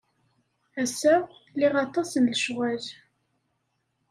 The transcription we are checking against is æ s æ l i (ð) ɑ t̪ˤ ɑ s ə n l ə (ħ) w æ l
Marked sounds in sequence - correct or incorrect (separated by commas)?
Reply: incorrect, incorrect